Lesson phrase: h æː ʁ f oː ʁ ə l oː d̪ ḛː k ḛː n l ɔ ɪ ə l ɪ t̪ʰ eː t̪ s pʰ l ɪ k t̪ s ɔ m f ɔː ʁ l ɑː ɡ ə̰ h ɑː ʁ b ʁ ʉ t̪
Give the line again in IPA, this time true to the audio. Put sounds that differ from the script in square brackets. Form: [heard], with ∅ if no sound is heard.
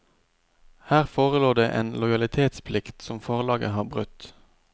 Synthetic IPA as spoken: h æː ʁ f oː ʁ ə l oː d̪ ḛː [ʔ] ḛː n l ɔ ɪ [ɑ] l ɪ t̪ʰ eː t̪ s pʰ l ɪ k t̪ s ɔ m f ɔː ʁ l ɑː ɡ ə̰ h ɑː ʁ b ʁ ʉ t̪